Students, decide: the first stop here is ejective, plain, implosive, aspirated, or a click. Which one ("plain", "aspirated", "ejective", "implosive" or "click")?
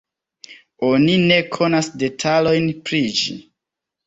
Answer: aspirated